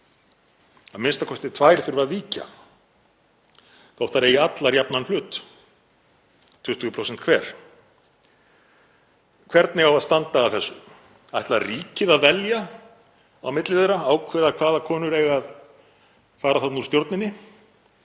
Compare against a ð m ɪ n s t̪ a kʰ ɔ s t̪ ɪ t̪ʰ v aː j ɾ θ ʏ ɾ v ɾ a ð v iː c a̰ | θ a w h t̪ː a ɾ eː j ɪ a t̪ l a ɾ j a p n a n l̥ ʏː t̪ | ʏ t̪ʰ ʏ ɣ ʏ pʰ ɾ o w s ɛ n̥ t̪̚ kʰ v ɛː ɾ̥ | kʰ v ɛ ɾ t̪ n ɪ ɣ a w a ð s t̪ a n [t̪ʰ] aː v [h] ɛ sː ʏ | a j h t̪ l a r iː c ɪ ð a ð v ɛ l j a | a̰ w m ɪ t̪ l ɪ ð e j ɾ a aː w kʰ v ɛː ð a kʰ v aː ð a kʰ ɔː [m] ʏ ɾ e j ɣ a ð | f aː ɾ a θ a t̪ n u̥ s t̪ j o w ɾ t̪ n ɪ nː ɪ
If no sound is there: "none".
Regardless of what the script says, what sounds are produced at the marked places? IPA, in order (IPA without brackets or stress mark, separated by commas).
t̪, θ, n